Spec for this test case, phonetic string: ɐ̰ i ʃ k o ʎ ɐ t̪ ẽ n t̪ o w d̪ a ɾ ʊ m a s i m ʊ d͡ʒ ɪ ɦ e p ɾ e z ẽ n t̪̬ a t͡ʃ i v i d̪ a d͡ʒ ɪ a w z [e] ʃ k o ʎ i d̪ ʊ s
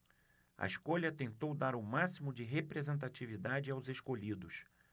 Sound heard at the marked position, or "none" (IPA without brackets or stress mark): e